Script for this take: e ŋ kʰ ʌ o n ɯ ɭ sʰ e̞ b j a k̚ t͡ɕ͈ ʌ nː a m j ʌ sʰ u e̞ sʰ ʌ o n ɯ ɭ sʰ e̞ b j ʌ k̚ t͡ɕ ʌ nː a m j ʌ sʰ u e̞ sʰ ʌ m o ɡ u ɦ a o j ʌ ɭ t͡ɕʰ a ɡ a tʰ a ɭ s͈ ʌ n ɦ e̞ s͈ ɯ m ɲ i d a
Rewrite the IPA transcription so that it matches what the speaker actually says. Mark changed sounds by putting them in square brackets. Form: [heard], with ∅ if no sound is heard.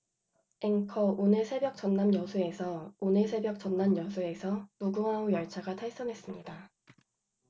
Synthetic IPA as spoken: e ŋ kʰ ʌ o n ɯ ɭ sʰ e̞ b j [ʌ] k̚ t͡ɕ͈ ʌ nː a m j ʌ sʰ u e̞ sʰ ʌ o n ɯ ɭ sʰ e̞ b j ʌ k̚ t͡ɕ ʌ nː a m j ʌ sʰ u e̞ sʰ ʌ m [u] ɡ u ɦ a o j ʌ ɭ t͡ɕʰ a ɡ a tʰ a ɭ s͈ ʌ n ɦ e̞ s͈ ɯ m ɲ i d a